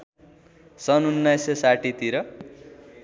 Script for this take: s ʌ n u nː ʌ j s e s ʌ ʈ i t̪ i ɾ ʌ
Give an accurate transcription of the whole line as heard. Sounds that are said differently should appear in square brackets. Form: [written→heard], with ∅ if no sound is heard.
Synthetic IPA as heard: s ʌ n u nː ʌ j s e s [ʌ→a] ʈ i t̪ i ɾ ʌ